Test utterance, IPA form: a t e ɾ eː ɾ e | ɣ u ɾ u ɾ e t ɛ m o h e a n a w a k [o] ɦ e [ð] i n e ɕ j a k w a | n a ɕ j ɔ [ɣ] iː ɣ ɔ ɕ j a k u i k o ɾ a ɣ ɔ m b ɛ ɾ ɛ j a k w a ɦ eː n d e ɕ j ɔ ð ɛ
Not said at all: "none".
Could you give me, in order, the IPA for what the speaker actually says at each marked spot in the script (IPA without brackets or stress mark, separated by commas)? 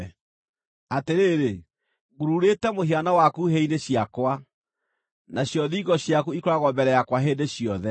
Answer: u, none, ð